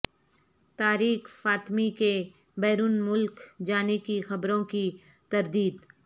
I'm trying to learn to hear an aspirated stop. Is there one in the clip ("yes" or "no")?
no